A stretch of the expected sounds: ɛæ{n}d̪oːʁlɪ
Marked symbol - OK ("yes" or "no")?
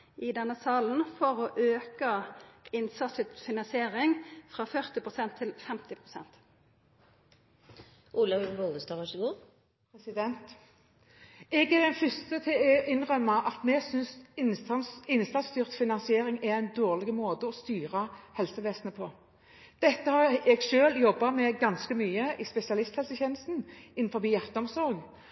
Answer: yes